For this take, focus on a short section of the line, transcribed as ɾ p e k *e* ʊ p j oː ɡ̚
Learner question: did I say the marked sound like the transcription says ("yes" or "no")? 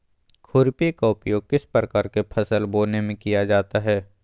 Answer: no